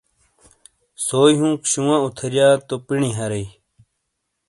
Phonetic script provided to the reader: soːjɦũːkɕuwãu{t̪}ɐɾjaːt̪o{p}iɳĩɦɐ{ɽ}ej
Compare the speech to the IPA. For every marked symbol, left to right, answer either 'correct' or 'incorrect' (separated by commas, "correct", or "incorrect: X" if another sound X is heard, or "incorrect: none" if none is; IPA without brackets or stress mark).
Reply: incorrect: t̪ʰ, correct, incorrect: ɾ